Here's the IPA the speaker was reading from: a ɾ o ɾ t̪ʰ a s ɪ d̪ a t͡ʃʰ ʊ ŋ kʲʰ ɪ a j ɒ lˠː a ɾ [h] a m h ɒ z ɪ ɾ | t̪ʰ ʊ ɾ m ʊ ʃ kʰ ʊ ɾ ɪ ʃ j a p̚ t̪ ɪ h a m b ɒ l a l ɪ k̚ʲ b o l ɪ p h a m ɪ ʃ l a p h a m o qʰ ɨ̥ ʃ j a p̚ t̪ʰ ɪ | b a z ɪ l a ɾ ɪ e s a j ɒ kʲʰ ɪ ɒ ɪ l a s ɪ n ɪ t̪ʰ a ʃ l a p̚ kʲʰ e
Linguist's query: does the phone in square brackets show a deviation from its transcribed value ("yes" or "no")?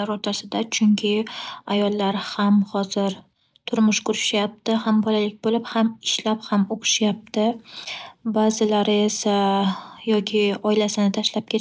no